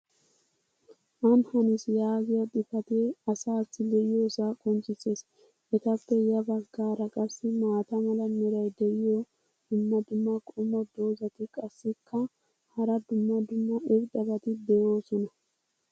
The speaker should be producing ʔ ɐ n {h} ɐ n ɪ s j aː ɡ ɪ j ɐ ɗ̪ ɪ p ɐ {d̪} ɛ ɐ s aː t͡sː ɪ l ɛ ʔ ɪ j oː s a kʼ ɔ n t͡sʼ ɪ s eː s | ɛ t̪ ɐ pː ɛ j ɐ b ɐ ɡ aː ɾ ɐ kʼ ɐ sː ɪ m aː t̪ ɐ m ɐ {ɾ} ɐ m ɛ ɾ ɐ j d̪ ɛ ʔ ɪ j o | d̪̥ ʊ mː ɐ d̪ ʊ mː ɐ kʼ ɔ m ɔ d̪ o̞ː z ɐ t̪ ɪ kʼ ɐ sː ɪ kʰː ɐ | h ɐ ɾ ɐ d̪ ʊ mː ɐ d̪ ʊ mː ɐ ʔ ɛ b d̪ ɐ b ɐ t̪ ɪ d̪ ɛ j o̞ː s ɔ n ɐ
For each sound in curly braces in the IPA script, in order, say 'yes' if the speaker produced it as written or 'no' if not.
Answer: yes, no, no

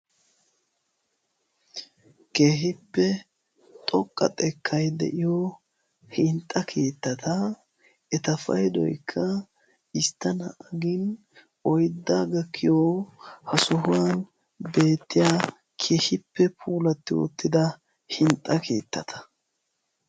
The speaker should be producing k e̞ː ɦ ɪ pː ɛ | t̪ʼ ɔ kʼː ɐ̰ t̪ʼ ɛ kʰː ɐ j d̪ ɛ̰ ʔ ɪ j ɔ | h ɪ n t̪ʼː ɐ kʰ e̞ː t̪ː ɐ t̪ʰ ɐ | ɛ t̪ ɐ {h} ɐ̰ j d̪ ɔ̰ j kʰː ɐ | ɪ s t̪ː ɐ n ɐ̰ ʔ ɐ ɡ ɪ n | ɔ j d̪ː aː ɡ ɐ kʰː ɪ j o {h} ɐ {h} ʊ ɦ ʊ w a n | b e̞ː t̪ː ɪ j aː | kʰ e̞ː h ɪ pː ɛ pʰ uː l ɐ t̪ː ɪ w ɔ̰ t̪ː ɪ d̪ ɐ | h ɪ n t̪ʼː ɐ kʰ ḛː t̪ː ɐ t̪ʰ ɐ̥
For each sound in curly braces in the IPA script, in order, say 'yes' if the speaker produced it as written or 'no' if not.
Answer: no, yes, no

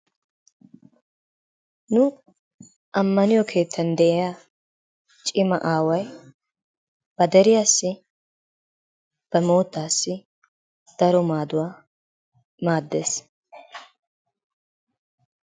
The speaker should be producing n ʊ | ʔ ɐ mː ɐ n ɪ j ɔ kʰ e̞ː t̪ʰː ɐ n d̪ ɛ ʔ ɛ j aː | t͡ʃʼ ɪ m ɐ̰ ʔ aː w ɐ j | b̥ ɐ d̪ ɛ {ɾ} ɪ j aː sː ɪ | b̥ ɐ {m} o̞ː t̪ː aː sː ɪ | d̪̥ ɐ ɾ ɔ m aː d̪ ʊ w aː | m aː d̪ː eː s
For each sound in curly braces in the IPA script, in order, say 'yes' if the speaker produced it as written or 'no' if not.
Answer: yes, yes

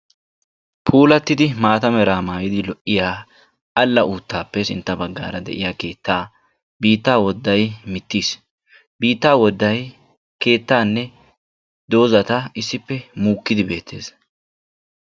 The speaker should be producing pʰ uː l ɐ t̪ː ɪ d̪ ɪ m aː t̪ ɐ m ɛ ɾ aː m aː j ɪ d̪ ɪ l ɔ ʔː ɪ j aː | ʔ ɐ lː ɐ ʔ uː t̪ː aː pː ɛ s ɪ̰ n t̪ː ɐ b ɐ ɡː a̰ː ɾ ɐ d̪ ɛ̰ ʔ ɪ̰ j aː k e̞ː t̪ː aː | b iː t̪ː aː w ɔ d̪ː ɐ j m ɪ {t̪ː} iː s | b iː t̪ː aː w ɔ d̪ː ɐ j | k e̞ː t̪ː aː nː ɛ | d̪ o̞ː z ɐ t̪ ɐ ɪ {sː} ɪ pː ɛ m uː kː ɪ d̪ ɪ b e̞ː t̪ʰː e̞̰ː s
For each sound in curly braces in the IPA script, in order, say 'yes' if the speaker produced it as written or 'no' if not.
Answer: yes, yes

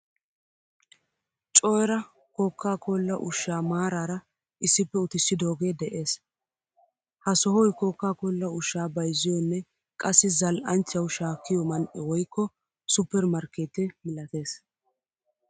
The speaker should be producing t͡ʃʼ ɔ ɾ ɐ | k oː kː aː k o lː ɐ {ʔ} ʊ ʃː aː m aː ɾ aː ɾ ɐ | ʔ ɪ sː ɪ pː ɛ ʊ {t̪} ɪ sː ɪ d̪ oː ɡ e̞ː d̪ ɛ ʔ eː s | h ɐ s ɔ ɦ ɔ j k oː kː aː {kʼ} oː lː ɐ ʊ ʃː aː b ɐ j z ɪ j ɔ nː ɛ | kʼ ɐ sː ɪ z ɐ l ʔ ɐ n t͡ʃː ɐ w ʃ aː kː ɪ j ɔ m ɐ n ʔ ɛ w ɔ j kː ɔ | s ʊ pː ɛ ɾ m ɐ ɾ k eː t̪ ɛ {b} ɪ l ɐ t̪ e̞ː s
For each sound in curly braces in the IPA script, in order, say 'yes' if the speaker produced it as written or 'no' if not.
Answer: yes, yes, no, no

